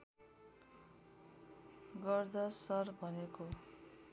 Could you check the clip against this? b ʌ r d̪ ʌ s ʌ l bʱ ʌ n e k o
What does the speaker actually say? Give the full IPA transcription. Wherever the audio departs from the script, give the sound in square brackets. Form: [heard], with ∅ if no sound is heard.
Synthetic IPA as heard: [ɡ] ʌ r d̪ ʌ s ʌ [r] bʱ ʌ n e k o